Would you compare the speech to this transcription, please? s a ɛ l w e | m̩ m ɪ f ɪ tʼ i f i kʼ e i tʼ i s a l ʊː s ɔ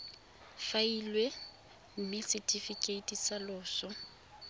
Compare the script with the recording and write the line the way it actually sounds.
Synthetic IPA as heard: f a i l w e | m̩ m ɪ s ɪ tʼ i f i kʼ e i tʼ i s a l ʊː s ɔ